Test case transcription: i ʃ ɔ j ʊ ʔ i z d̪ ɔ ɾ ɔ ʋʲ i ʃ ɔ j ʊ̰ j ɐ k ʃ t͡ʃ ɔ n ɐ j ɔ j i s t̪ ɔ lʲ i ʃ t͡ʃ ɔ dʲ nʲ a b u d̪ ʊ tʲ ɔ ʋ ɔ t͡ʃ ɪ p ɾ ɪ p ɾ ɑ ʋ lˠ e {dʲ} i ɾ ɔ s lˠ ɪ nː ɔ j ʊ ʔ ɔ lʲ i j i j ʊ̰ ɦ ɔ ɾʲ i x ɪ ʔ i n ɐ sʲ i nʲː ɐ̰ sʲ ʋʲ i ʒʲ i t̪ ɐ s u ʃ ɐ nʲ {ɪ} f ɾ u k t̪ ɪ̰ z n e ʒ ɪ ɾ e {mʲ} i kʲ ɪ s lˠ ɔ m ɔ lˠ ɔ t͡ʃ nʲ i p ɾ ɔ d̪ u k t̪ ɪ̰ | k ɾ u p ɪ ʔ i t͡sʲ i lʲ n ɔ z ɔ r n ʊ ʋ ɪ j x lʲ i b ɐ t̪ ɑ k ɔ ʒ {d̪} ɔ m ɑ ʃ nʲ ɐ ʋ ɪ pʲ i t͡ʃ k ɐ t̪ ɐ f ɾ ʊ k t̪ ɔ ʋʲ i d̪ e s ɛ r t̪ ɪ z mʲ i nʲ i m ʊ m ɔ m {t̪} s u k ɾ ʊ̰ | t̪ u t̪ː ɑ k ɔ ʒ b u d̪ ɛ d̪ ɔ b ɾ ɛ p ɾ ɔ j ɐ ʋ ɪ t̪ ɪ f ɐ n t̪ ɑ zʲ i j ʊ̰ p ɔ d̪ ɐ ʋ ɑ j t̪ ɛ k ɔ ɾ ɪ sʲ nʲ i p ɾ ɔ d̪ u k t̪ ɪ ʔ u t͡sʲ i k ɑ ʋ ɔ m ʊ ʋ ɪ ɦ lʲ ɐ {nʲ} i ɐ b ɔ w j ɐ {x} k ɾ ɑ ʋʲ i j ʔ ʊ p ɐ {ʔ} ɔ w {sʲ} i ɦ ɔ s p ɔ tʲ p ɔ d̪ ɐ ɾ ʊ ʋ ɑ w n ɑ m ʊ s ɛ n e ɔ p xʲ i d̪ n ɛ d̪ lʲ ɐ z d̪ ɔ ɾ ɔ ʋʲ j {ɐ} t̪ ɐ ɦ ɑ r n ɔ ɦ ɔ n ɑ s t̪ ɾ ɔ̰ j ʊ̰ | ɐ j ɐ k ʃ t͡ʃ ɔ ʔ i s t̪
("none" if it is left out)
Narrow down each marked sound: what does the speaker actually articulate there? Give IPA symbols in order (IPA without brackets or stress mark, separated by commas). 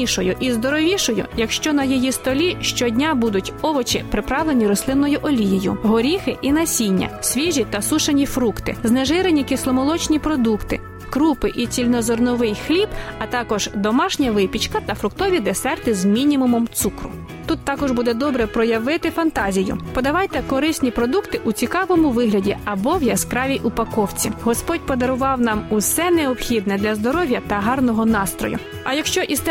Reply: nʲ, i, nʲ, d̪, t̪, dʲ, s, k, t͡sʲ, ɐ